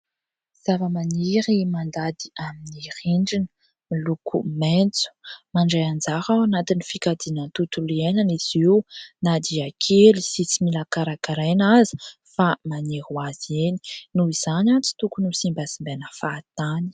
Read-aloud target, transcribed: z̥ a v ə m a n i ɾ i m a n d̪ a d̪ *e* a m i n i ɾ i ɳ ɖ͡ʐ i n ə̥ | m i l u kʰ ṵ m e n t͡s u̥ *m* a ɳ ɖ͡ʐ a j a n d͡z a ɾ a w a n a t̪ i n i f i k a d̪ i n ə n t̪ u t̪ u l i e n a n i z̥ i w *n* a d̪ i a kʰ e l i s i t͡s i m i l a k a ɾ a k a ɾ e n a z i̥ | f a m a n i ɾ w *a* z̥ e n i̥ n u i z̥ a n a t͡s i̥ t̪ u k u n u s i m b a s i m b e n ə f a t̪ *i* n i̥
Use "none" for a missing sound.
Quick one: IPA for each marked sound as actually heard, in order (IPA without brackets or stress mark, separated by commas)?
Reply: i, m, n, a, a